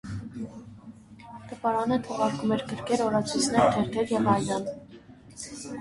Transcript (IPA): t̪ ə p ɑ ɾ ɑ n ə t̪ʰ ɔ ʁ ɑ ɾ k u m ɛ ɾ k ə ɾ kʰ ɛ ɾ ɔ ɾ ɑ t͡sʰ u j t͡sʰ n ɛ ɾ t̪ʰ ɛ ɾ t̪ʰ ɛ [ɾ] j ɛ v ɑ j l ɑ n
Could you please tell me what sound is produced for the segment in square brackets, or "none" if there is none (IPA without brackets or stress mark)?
ɾ